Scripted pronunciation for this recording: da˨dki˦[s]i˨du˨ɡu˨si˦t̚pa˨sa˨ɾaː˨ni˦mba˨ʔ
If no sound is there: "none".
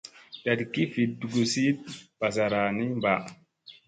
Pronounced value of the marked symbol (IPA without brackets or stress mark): f